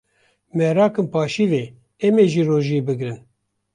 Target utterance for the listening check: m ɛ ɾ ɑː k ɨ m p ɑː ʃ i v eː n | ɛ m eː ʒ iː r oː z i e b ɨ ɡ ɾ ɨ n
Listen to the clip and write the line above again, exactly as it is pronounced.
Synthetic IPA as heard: m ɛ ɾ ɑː k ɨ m p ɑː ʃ i v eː | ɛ m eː ʒ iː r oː ʒ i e b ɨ ɡ ɾ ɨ n